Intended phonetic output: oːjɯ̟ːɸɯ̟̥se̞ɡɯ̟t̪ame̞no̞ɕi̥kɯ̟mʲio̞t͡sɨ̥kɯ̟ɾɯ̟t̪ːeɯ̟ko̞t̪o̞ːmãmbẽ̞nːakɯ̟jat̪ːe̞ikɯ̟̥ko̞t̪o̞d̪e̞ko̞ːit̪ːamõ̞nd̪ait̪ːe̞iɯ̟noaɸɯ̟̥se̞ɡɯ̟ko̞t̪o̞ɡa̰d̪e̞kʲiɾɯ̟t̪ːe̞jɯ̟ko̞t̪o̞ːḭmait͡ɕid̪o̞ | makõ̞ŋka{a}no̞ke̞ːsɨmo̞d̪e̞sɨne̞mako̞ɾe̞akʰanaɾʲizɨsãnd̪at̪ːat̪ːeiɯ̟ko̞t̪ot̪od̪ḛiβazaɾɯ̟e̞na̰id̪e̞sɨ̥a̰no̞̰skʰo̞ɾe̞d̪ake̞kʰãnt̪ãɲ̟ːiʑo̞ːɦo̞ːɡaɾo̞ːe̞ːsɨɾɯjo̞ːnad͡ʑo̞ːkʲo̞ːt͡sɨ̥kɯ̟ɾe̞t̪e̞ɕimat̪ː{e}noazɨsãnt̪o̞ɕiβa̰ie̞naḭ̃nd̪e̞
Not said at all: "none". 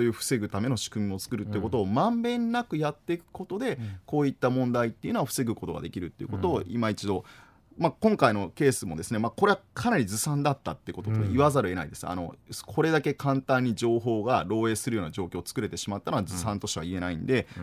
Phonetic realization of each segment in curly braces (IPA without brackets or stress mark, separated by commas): i, a